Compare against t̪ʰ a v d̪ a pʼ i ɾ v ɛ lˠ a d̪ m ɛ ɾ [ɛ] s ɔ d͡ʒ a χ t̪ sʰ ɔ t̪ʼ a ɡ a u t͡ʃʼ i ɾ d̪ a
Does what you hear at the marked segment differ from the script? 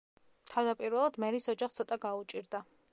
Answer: yes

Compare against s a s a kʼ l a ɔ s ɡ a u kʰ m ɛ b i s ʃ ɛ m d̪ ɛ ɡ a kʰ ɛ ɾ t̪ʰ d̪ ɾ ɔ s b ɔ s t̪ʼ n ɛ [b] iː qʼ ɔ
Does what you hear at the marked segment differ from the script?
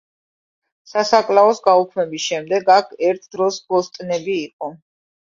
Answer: no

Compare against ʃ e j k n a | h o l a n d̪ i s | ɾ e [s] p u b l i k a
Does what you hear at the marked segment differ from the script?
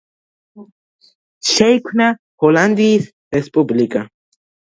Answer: no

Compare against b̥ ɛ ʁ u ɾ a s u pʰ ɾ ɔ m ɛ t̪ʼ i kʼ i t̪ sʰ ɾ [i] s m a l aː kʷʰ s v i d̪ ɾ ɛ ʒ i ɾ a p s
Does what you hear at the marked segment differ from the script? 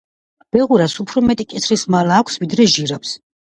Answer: no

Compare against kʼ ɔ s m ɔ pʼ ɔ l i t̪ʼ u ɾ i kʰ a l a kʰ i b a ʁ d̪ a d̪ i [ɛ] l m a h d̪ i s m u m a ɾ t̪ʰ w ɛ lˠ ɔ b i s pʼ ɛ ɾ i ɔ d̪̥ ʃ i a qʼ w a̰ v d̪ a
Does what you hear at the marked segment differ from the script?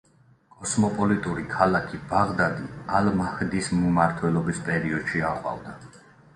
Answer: yes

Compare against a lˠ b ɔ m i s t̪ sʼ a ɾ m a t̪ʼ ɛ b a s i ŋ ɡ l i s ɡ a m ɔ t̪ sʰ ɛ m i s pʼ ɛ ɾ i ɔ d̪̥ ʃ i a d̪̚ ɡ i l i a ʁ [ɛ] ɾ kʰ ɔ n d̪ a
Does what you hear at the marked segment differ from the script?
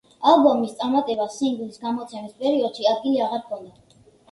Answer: yes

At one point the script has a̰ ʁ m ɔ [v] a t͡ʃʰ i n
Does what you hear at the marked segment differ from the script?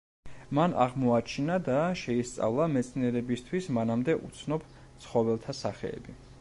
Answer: yes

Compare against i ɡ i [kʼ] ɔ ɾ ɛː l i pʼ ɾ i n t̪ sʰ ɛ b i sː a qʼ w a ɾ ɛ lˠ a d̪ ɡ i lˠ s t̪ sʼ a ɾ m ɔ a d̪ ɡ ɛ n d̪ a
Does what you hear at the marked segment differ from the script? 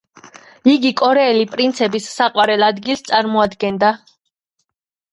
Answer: no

